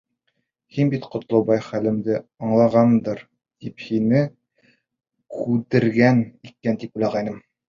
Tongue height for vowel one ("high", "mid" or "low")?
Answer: high